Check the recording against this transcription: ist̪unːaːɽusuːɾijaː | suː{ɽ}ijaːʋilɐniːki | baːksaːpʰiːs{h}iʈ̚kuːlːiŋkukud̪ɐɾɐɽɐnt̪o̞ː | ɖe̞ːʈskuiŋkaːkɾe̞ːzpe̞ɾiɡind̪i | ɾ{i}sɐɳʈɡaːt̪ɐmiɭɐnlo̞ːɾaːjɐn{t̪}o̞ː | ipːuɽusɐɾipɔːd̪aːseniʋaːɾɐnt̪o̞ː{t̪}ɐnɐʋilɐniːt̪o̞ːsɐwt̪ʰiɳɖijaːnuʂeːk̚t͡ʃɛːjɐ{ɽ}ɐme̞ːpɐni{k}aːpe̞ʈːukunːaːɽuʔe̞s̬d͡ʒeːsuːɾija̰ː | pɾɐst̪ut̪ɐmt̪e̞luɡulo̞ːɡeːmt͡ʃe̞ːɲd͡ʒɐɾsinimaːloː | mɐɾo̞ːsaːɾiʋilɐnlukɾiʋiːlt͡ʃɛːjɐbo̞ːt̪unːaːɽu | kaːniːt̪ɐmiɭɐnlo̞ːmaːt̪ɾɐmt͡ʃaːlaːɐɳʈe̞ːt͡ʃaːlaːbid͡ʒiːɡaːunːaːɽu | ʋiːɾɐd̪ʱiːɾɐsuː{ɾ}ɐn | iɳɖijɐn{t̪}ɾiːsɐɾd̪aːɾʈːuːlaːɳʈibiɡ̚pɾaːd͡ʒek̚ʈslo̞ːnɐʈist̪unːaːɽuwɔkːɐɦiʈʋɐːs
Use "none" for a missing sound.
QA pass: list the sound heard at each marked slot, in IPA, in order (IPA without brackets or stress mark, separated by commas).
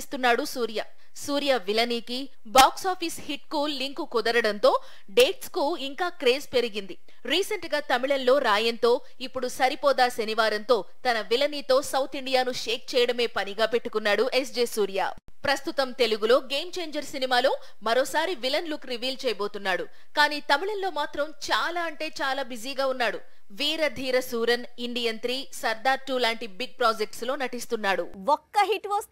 ɾ, h, iː, t̪, t̪, ɽ, ɡ, ɾ, t̪